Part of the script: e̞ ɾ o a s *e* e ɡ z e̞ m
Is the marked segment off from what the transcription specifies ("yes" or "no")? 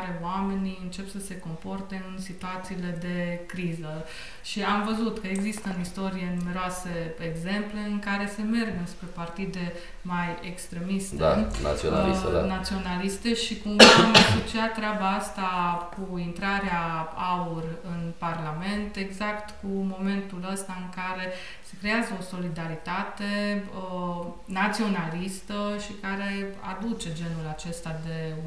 no